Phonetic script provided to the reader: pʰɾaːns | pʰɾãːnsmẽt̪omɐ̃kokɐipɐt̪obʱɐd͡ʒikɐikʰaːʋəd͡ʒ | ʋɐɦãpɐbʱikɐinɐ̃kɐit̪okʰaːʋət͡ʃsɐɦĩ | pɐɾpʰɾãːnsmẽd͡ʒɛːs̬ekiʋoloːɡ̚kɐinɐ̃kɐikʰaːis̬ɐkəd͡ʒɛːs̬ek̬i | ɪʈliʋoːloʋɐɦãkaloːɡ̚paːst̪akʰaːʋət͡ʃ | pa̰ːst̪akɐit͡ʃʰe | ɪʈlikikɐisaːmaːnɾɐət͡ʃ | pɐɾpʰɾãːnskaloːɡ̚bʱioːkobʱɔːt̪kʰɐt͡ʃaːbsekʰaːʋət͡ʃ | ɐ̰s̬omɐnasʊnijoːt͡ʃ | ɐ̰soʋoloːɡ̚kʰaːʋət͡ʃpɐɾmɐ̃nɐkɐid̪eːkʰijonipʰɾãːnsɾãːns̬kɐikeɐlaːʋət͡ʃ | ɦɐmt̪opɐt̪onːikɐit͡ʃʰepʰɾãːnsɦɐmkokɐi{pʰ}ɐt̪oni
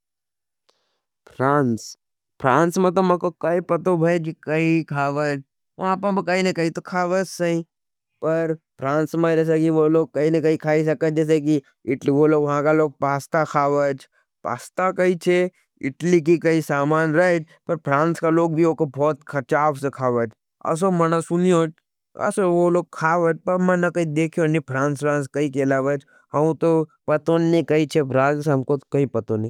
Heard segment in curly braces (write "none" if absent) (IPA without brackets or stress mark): p